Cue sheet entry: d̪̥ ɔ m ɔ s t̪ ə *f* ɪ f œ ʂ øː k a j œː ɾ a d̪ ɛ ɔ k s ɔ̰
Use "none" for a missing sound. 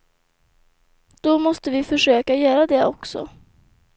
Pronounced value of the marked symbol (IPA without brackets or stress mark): v